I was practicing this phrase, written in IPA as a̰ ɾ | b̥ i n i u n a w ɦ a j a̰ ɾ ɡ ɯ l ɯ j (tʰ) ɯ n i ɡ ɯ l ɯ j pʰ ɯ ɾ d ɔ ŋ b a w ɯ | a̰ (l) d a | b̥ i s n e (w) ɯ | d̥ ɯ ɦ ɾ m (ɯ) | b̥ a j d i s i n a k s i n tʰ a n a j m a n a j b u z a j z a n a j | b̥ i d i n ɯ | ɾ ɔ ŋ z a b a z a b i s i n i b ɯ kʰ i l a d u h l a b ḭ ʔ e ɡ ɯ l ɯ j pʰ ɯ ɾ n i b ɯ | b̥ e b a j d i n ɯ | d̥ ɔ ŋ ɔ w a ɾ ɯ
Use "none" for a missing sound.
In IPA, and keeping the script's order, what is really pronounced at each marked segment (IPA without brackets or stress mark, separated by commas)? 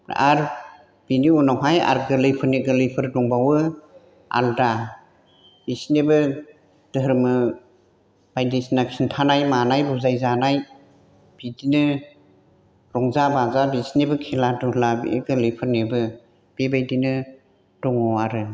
pʰ, l, b, ɯ